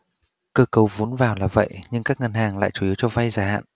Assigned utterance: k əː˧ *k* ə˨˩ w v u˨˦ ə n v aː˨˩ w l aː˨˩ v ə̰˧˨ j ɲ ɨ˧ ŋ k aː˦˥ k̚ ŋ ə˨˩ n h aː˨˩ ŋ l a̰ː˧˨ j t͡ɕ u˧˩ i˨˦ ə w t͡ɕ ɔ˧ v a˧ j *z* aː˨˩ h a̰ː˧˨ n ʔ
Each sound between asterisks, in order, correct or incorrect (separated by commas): correct, correct